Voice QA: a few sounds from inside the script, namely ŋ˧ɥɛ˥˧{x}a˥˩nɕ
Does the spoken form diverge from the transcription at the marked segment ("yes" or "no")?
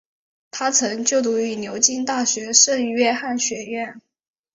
no